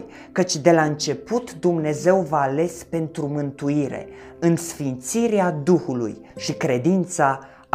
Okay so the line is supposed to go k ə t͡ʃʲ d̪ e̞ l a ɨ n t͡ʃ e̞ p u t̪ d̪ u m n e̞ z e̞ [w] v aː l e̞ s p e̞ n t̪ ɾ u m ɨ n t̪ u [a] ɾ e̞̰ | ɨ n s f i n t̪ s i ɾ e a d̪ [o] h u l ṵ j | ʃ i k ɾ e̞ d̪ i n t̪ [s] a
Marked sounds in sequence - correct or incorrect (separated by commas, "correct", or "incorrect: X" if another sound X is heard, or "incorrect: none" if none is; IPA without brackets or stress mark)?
correct, incorrect: i, incorrect: u, correct